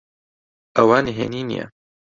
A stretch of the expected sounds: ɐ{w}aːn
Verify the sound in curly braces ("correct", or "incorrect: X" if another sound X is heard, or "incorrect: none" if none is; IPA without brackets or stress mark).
correct